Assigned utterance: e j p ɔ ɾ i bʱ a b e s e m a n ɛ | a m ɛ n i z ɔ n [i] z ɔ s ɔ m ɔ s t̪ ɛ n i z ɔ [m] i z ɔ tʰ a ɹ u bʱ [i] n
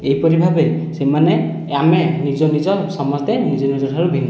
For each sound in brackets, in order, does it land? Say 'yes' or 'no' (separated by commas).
yes, no, yes